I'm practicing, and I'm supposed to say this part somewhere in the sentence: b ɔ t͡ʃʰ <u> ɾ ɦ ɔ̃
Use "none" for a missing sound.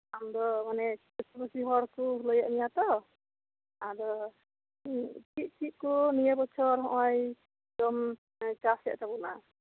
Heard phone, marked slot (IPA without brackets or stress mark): ɔ